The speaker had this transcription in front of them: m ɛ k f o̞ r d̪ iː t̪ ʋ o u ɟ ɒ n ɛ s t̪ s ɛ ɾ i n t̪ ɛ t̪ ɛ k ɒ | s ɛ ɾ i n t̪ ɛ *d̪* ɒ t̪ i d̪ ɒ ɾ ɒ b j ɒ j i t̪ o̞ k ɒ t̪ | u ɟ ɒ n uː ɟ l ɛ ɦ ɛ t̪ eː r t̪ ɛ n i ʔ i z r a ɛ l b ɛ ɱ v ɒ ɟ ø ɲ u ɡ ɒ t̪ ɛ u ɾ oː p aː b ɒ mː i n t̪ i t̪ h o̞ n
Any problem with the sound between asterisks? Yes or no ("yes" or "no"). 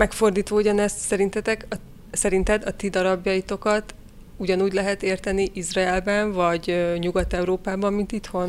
no